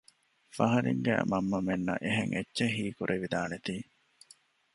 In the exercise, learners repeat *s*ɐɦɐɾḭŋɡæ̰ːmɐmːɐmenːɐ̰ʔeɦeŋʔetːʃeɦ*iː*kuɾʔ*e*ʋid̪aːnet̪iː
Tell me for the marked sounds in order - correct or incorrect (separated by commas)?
incorrect, correct, correct